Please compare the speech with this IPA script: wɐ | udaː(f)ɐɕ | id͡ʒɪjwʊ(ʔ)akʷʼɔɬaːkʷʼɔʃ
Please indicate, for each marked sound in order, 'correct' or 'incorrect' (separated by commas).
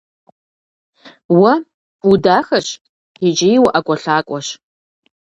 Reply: incorrect, correct